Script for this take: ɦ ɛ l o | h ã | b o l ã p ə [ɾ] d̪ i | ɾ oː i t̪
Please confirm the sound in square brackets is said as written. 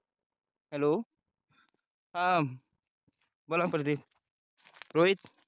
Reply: yes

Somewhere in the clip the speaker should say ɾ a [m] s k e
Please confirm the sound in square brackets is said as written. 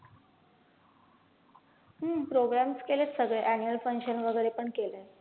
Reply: yes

